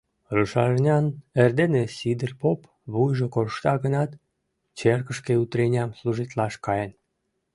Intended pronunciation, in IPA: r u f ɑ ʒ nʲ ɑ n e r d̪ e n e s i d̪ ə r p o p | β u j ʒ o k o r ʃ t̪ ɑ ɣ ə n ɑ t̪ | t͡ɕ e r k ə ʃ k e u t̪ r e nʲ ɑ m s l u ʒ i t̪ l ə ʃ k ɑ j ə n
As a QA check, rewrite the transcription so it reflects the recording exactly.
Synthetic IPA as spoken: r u ʃ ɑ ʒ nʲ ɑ n e r d̪ e n e s i d̪ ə r p o p | β u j ʒ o k o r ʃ t̪ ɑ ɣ ə n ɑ t̪ | t͡ɕ e r k ə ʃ k e u t̪ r e nʲ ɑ m s l u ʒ i t̪ l ɑ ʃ k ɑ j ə n